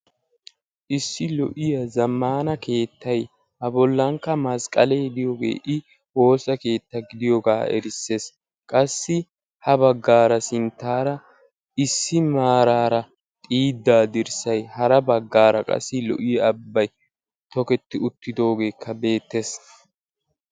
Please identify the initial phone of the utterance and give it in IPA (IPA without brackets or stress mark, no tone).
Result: ʔ